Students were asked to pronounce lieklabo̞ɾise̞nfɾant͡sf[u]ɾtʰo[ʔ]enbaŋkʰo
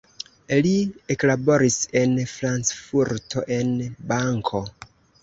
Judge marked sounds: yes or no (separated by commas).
yes, yes